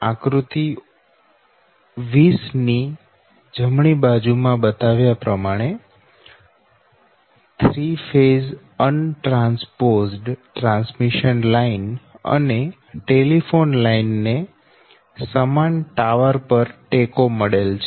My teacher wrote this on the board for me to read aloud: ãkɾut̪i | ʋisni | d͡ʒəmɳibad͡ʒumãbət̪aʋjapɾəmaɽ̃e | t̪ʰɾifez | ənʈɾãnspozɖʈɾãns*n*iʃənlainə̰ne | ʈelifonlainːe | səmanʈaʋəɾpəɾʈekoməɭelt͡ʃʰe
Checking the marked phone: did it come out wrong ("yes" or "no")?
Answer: yes